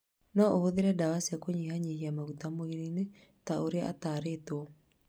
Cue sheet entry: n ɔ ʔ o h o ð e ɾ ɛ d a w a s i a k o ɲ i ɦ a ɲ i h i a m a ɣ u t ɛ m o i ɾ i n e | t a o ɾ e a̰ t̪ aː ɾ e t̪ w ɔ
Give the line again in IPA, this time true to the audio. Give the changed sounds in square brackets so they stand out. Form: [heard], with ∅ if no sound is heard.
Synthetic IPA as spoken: n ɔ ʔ o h o ð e ɾ ɛ d a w a s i a k o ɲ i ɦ a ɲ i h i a m a ɣ u t [a] m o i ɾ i n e | t a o ɾ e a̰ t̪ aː ɾ e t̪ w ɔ